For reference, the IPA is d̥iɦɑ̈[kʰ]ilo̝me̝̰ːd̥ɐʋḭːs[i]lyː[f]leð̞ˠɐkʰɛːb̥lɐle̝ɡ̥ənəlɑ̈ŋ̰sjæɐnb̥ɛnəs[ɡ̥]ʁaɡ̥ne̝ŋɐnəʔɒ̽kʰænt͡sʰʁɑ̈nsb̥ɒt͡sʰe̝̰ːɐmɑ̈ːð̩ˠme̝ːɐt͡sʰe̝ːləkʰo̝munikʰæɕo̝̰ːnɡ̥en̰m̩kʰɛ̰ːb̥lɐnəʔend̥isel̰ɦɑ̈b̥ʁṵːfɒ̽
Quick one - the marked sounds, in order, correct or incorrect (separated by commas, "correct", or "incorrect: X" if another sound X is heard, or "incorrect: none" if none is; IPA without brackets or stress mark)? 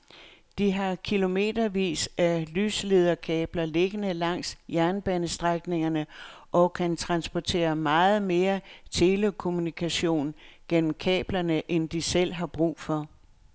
correct, incorrect: æ, incorrect: s, incorrect: d̥